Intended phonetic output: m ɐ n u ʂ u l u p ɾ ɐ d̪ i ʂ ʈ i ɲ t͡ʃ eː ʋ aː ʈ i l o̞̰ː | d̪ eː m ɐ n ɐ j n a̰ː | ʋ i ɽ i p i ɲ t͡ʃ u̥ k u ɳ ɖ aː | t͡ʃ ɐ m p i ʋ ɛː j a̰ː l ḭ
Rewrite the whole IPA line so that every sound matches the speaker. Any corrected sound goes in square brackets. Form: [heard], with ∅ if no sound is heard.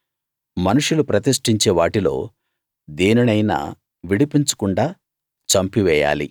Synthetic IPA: m ɐ n u ʂ u l u p ɾ ɐ [t̪] i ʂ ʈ i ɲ t͡ʃ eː ʋ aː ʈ i l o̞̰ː | d̪ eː [n] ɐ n ɐ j n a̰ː | ʋ i ɽ i p i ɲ t͡ʃ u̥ k u ɳ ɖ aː | t͡ʃ ɐ m p i ʋ ɛː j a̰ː l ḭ